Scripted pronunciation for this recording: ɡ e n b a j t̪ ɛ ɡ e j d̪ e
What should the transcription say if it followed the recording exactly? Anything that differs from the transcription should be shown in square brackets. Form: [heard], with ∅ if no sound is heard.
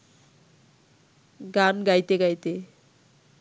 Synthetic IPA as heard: ɡ [a] n [ɡ] a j t̪ [e] ɡ [a] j [t̪] e